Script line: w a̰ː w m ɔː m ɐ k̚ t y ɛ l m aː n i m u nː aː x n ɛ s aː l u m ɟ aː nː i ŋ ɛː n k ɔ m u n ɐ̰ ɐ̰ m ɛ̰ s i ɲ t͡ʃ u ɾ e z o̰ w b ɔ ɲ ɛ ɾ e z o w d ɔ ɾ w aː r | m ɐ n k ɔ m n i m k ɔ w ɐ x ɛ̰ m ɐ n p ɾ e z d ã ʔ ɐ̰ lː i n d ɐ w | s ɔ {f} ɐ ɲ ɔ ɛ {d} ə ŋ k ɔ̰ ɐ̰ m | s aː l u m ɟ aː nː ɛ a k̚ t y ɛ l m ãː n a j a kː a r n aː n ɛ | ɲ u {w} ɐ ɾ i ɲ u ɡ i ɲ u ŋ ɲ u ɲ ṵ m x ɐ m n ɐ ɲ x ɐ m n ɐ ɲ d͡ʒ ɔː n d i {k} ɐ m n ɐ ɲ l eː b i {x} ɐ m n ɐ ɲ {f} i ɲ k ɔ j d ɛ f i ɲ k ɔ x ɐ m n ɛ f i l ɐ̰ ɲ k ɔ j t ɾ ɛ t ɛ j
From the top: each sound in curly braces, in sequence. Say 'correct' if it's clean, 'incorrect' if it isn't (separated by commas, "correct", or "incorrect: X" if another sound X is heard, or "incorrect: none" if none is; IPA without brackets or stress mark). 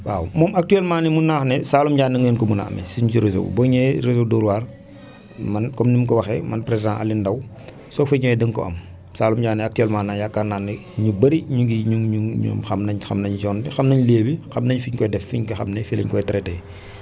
correct, correct, incorrect: b, incorrect: x, correct, correct